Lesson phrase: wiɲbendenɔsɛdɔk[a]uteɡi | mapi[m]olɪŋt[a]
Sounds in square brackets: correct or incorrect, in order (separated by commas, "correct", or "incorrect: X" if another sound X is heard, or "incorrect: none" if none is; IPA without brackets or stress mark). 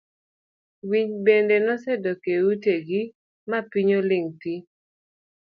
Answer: incorrect: e, incorrect: ɲ, incorrect: i